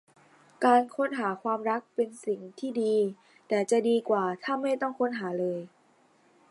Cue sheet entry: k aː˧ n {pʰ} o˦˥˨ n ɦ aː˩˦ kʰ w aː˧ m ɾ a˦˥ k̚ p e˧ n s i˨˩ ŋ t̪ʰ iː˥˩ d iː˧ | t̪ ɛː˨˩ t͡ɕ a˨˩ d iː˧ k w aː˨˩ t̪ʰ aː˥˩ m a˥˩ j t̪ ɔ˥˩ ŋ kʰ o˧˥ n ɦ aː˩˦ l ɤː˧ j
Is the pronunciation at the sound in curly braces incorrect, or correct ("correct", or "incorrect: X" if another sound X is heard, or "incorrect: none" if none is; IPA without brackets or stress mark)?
incorrect: kʰ